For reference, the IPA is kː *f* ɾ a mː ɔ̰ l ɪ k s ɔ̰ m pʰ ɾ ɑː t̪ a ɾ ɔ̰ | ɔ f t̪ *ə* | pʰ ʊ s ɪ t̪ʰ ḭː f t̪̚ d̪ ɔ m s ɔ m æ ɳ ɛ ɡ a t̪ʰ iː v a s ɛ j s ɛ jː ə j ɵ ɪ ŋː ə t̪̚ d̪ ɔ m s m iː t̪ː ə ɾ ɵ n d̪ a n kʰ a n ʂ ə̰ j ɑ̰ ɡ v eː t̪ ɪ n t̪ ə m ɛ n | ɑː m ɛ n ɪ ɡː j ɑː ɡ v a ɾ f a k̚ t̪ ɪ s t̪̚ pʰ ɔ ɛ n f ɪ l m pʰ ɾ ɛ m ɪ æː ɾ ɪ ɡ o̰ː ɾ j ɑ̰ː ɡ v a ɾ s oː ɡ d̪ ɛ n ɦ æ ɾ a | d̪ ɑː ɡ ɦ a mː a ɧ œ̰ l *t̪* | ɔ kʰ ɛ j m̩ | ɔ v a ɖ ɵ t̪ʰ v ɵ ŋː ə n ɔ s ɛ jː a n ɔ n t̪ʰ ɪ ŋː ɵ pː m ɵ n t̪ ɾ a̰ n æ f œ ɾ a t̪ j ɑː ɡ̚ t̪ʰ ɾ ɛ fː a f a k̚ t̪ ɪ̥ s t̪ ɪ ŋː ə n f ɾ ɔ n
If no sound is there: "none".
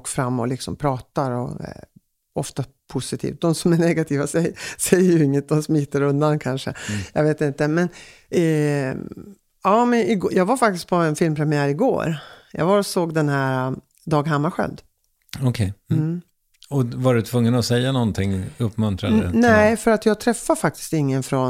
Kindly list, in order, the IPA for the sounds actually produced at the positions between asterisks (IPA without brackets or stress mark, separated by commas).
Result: f, a, d̪